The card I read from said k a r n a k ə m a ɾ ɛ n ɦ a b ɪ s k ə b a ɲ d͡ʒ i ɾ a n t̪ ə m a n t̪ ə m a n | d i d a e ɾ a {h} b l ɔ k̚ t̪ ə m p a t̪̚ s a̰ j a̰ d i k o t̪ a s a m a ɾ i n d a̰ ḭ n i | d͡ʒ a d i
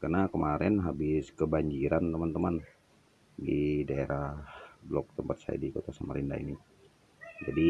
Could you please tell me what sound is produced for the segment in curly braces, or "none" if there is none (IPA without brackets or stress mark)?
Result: h